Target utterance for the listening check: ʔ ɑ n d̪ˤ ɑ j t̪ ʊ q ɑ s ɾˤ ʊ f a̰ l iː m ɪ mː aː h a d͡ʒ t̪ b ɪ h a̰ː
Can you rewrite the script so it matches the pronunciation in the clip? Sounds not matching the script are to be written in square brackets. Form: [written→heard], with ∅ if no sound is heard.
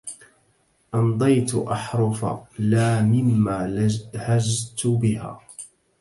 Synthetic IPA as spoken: ʔ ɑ n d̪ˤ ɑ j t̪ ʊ [q→ʔ] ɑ [s→ħ] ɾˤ ʊ f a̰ l [iː→aː] m ɪ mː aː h a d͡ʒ t̪ b ɪ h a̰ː